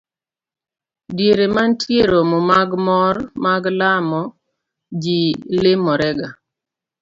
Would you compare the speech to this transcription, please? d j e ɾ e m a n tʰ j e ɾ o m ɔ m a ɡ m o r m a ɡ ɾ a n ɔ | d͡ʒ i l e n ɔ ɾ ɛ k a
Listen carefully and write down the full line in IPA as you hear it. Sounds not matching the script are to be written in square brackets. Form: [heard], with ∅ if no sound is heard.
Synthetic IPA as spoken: d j e ɾ e m a n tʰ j e ɾ o m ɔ m a ɡ m [ɔ] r m a ɡ [l] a [m] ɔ | d͡ʒ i l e [m] ɔ ɾ ɛ [ɡ] a